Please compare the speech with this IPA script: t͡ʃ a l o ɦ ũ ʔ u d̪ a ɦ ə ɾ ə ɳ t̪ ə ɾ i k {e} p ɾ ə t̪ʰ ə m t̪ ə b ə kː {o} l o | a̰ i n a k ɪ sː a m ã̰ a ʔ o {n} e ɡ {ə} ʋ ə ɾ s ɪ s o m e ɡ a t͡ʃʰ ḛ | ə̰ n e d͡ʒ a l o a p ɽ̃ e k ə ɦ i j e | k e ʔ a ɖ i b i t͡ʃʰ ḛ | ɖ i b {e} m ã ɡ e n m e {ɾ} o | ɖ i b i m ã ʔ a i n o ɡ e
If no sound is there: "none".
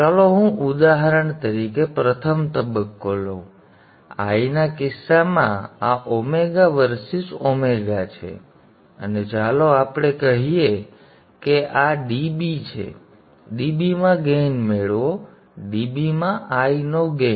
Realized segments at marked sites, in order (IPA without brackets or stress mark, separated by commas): e, o, m, a, i, ɭ